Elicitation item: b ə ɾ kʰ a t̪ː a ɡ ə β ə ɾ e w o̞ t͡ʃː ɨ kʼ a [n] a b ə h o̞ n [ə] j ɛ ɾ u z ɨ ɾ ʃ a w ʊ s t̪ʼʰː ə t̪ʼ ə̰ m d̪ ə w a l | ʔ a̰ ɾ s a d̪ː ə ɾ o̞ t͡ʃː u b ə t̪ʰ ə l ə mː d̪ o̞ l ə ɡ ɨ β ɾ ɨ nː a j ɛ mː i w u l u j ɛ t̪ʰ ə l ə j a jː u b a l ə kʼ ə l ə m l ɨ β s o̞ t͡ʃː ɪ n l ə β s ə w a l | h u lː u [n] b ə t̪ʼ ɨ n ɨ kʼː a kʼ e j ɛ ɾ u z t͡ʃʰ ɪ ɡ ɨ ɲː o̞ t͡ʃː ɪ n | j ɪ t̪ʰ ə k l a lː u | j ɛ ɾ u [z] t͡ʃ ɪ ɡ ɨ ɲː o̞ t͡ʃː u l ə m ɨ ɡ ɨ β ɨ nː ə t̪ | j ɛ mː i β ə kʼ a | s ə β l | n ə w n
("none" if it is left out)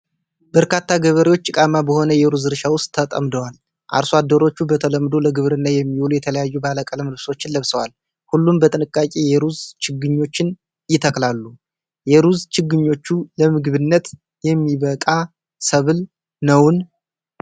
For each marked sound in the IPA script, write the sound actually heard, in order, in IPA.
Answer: m, ə, m, z

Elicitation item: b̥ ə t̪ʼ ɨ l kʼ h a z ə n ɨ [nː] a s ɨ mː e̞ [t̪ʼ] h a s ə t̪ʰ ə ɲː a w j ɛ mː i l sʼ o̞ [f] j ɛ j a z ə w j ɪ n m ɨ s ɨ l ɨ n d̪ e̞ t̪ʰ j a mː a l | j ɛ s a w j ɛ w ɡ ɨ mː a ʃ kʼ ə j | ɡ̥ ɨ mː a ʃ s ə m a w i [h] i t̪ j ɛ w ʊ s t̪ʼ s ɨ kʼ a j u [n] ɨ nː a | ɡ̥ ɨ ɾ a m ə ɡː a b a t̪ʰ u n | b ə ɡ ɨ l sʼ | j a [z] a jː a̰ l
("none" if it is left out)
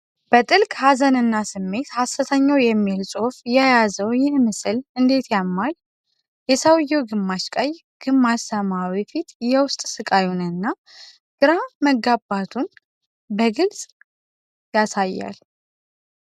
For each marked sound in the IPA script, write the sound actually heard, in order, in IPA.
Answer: nː, t̪, f, f, n, s

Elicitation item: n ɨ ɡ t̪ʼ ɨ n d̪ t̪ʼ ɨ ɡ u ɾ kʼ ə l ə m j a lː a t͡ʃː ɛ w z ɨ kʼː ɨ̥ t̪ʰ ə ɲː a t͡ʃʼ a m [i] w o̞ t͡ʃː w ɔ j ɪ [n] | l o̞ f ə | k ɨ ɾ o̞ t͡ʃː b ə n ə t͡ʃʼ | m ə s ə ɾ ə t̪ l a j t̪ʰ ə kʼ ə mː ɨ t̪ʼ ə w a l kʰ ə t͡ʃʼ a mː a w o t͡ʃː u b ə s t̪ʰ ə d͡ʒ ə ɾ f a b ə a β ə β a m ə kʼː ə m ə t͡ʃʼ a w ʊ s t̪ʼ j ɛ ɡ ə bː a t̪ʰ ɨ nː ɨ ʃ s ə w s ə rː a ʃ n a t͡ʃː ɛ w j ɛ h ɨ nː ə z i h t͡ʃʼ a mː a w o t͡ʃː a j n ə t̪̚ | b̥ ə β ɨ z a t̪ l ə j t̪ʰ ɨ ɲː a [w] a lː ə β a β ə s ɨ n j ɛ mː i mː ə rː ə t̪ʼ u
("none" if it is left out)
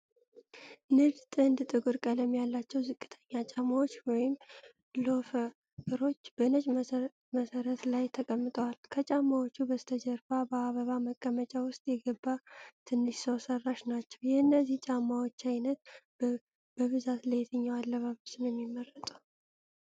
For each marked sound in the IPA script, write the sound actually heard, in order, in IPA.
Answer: a, m, w

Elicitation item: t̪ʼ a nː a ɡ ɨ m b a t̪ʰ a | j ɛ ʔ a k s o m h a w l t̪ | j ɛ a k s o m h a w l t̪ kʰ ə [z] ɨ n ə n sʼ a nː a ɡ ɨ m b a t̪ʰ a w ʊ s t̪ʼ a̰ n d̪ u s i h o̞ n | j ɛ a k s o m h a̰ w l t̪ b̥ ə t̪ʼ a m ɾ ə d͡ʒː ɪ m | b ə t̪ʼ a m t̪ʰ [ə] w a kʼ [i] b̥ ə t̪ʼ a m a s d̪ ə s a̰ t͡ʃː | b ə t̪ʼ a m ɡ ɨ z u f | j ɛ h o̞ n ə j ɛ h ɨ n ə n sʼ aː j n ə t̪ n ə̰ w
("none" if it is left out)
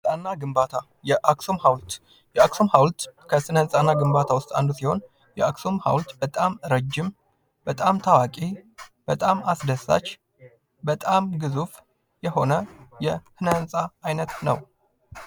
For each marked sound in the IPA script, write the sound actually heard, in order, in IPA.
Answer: s, a, i

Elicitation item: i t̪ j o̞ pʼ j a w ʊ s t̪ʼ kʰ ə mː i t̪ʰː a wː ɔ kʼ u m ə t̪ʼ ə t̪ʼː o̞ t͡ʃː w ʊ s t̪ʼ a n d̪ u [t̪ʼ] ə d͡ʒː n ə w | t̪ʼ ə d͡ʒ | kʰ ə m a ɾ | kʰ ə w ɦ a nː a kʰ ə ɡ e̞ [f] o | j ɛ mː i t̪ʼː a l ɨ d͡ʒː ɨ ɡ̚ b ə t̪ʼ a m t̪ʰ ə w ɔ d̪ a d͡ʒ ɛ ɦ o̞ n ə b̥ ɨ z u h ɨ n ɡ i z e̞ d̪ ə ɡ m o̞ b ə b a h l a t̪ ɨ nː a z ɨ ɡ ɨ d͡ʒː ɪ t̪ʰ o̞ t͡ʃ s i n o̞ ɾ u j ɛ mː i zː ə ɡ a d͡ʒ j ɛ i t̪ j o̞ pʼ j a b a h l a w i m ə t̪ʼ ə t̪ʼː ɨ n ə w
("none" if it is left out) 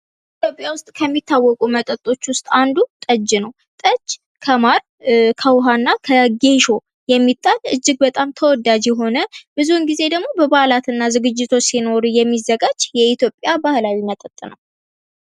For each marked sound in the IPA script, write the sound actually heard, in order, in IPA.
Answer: t̪ʼ, ʃ

